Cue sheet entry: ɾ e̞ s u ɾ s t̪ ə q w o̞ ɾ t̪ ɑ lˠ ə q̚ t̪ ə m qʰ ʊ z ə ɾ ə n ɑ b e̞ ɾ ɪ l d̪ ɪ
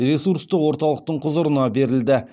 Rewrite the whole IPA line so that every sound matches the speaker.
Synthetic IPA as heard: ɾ e̞ s u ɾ s t̪ ə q w o̞ ɾ t̪ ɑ lˠ ə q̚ t̪ ə ɴ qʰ ʊ z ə ɾ ə n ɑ b e̞ ɾ ɪ l d̪ ɪ